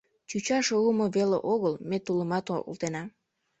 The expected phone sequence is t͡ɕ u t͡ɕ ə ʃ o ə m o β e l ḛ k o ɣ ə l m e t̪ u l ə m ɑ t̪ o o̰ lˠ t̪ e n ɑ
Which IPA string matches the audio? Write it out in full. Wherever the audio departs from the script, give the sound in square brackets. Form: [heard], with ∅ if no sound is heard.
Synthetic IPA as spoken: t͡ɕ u t͡ɕ [ɑ] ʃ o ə m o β e l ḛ [ʔ] o ɣ ə l m e t̪ u l ə m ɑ t̪ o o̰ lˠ t̪ e n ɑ